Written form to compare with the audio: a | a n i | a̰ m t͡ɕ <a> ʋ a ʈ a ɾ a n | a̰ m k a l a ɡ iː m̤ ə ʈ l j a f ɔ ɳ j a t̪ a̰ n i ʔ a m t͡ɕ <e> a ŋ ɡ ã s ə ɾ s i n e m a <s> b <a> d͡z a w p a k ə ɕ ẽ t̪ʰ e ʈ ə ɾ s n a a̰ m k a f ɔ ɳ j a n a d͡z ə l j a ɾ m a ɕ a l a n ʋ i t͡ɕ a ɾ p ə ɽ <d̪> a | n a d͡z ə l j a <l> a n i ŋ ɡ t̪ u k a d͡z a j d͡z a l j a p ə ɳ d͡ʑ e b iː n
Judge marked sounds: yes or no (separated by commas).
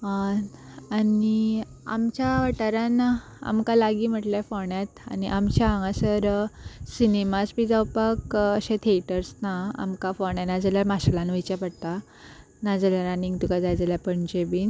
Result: yes, no, yes, no, no, no